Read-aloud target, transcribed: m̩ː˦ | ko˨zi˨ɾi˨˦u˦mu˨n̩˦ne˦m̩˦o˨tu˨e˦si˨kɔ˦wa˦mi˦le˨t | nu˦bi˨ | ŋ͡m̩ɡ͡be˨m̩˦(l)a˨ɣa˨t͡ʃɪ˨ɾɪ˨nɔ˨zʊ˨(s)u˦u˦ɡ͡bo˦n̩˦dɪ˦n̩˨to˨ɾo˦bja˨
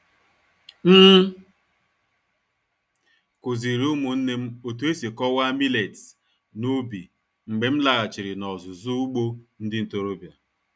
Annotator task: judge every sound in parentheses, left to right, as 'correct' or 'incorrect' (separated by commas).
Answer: correct, incorrect